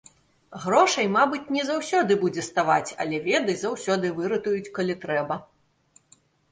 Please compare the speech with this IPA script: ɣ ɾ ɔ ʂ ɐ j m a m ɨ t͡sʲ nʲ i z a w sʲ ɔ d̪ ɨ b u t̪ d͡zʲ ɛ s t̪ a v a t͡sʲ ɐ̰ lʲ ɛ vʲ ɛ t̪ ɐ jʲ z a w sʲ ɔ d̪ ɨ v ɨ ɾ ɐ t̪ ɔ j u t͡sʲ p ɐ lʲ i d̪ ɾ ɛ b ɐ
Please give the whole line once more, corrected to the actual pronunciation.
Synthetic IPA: ɣ ɾ ɔ ʂ ɐ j m a b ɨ t͡sʲ nʲ ɛ z a w sʲ ɔ d̪ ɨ b u d͡zʲ ɛ s t̪ a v a t͡sʲ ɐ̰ lʲ ɛ vʲ ɛ d̪ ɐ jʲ z a w sʲ ɔ d̪ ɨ v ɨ ɾ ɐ t̪ u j u t͡sʲ k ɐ lʲ i t̪ ɾ ɛ b ɐ